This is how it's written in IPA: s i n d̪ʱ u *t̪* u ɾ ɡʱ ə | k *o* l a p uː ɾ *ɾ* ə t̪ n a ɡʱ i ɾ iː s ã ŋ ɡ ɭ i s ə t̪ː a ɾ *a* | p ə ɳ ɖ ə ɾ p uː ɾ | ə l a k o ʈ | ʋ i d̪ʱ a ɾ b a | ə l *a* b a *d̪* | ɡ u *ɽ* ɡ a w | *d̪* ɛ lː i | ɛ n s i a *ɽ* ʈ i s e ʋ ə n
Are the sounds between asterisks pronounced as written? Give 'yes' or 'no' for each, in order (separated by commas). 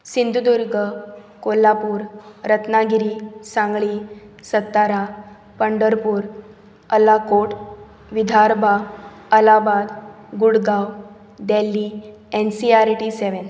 no, yes, yes, yes, yes, yes, yes, yes, no